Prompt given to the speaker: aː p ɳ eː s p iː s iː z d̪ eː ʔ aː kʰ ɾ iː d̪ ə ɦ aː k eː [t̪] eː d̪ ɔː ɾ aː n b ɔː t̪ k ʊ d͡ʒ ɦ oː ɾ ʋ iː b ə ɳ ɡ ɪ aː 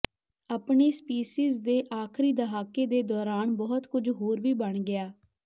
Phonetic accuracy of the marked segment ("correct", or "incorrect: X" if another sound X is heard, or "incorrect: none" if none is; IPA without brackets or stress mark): incorrect: d̪